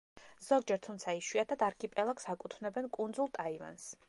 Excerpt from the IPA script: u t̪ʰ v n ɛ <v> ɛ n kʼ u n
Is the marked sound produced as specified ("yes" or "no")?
no